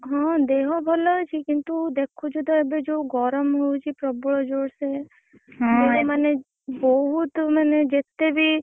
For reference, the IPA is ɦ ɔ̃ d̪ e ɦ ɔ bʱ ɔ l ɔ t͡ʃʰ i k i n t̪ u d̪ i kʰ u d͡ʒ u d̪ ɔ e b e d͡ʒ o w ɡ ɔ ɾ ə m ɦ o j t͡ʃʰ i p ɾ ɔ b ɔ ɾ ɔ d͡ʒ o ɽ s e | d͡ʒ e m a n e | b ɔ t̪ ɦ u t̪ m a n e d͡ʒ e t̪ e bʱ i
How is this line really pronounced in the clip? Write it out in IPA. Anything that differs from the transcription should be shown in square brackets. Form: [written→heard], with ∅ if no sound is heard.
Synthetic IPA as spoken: ɦ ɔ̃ d̪ e ɦ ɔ bʱ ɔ l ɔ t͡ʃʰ i k i n t̪ u d̪ [i→e] kʰ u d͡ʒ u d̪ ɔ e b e d͡ʒ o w ɡ ɔ ɾ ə m ɦ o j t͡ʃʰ i p ɾ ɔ b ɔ [ɾ→ɭ] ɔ d͡ʒ o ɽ s e | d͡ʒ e m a n e | b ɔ [t̪→∅] ɦ u t̪ m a n e d͡ʒ e t̪ e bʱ i